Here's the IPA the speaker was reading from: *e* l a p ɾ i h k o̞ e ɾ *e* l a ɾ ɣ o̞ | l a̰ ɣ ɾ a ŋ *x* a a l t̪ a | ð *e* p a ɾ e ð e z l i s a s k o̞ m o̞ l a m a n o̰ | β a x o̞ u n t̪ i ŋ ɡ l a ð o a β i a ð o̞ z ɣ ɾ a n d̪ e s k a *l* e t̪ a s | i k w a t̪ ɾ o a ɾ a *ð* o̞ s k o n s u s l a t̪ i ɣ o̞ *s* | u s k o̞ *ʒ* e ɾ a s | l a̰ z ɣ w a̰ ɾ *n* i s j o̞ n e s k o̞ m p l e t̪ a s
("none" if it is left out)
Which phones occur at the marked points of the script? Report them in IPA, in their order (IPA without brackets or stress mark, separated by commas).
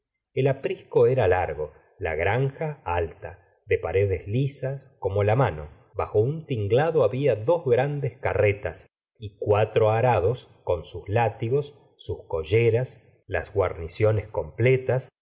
e, a, x, e, r, ð, sː, ʒ, n